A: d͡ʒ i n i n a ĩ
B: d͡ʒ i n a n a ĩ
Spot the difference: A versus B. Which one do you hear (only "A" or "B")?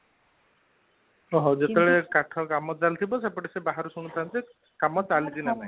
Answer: B